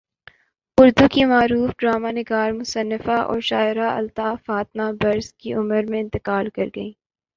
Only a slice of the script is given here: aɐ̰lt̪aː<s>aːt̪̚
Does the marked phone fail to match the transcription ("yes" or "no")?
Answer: yes